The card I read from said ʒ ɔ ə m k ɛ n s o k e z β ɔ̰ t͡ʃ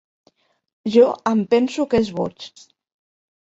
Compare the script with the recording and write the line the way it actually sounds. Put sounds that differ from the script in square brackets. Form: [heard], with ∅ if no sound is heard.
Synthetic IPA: ʒ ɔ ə m [p] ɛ n s [u] k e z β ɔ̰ t͡ʃ